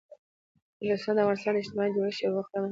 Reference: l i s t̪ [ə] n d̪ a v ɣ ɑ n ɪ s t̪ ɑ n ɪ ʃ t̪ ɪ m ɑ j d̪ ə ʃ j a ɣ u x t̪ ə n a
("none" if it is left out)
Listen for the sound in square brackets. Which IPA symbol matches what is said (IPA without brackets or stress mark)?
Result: ɑ